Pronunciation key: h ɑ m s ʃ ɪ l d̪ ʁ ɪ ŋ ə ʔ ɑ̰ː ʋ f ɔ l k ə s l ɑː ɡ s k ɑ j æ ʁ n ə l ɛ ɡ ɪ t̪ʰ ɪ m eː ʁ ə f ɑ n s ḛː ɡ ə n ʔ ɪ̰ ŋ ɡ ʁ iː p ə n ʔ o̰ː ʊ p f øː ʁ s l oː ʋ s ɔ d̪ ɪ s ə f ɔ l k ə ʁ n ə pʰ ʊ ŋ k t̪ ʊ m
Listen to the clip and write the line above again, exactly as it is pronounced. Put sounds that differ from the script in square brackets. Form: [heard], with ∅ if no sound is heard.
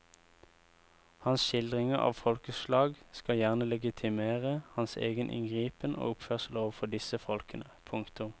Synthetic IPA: h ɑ [n] s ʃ ɪ l d̪ ʁ ɪ ŋ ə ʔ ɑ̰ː ʋ f ɔ l k ə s l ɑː ɡ s k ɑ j æ ʁ n ə l ɛ ɡ ɪ t̪ʰ ɪ m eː ʁ ə [h] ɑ n s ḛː ɡ ə n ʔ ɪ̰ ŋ ɡ ʁ iː p ə n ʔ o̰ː ʊ p f øː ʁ s l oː ʋ [f] ɔ d̪ ɪ s ə f ɔ l k ə [∅] n ə pʰ ʊ ŋ k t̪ ʊ m